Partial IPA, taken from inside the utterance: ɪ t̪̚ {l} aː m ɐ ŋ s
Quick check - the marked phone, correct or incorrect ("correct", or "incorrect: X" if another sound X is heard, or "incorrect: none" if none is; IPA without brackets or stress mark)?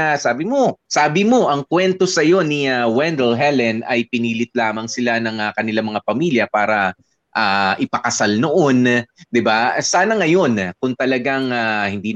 correct